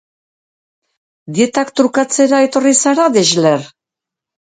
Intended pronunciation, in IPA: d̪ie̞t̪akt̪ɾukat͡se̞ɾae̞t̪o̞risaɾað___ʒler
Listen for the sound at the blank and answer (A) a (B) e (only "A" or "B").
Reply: B